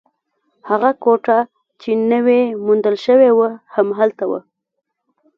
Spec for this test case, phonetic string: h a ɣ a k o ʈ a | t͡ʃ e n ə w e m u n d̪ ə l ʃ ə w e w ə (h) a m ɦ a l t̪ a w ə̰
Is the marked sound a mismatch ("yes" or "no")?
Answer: no